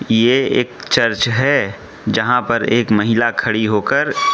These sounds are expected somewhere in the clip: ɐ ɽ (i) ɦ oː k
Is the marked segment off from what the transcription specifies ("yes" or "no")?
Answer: no